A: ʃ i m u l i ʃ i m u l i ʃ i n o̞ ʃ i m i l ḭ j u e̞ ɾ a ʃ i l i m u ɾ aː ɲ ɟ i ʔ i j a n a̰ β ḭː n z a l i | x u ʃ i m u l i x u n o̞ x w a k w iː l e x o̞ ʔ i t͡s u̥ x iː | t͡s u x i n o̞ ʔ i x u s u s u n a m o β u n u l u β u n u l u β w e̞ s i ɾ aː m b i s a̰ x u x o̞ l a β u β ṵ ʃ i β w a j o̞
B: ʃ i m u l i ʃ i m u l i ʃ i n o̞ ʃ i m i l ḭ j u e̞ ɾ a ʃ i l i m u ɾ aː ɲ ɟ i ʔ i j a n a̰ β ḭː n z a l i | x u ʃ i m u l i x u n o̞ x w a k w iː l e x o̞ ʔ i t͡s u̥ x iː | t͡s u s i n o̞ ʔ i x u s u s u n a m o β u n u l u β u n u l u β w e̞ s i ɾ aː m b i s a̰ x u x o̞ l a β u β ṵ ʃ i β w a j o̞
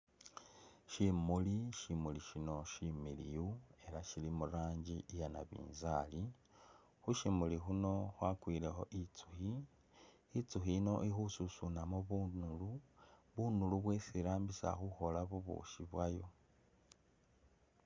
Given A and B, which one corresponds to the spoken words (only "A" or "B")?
A